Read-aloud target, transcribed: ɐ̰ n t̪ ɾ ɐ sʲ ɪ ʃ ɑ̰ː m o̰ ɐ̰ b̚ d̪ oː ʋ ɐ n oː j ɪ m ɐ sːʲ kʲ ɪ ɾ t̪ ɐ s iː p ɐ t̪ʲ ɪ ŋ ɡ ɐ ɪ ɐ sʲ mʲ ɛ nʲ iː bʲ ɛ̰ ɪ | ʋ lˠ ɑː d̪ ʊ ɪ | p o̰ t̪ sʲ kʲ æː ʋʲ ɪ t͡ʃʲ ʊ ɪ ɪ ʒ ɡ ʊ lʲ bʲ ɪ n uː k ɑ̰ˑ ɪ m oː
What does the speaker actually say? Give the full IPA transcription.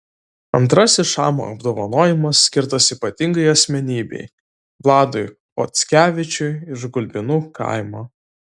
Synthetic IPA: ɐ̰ n t̪ ɾ ɐ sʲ ɪ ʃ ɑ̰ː m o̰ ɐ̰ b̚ d̪ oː ʋ ɐ n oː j ɪ m ɐ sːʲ kʲ ɪ ɾ t̪ ɐ s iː p ɐ t̪ʲ ɪ ŋ ɡ ɐ ɪ ɐ sʲ mʲ ɛ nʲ iː bʲ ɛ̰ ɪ | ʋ lˠ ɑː d̪ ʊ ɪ | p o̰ t̪ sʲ kʲ æː ʋʲ ɪ t͡ʃʲ ʊ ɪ ɪ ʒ ɡ ʊ lʲ bʲ ɪ n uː k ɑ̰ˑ ɪ m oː